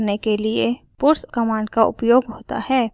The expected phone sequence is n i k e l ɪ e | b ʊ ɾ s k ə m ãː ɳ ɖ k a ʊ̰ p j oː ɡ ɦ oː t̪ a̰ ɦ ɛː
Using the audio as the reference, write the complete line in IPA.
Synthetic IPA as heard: n e k e l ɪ e | p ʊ ɾ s k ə m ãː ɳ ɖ k a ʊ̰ p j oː ɡ ɦ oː t̪ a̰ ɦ ɛː